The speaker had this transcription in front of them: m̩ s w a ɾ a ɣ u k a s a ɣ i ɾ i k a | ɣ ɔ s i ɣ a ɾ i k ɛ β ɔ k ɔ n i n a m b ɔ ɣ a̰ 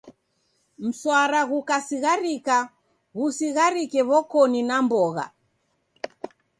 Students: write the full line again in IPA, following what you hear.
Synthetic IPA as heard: m̩ s w a ɾ a ɣ u k a s i ɣ a ɾ i k a | ɣ u s i ɣ a ɾ i k ɛ β ɔ k ɔ n i n a m b ɔ ɣ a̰